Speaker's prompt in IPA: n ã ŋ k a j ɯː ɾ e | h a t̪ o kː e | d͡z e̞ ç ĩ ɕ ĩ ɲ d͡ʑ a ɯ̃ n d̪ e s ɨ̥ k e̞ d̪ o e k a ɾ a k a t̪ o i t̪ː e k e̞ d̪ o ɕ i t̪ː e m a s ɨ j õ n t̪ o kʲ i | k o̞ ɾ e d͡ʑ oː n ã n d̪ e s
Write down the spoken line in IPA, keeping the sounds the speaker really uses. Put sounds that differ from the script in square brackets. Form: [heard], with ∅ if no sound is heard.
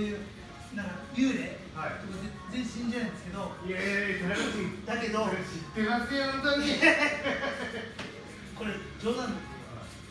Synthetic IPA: n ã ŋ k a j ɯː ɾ e | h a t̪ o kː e | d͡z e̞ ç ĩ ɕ ĩ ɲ d͡ʑ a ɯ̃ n d̪ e s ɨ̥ k e̞ d̪ o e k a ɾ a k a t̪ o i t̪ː [a] k e̞ d̪ o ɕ i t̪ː e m a s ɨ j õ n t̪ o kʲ i | k o̞ ɾ e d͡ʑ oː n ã n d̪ e s